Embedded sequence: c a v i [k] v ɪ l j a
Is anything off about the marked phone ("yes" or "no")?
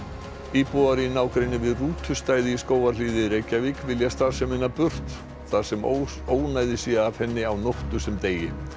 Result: no